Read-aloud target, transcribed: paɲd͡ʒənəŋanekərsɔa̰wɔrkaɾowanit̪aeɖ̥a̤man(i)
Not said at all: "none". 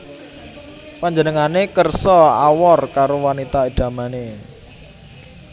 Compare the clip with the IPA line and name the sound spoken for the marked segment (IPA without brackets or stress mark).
e